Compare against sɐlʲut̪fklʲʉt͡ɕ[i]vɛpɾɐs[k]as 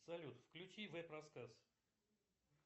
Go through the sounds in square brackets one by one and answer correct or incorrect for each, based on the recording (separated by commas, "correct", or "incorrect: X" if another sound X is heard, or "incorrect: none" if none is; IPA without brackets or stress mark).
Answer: correct, correct